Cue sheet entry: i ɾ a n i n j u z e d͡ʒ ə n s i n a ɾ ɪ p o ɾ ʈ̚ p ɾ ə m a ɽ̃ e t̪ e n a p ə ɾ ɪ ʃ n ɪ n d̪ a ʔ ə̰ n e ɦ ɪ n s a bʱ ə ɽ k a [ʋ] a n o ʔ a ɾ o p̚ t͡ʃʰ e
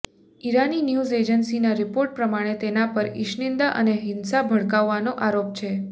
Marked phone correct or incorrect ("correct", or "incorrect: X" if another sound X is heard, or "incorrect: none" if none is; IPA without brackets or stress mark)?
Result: incorrect: ʋː